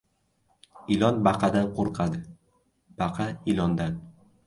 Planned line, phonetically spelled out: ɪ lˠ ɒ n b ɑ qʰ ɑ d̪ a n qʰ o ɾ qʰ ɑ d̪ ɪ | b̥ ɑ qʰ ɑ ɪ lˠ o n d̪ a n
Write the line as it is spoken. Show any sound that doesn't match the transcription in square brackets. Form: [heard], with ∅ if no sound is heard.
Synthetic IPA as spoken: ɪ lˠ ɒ n b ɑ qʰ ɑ d̪ a n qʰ o ɾ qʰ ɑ d̪ ɪ | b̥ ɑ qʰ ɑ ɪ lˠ [ɒ] n d̪ a n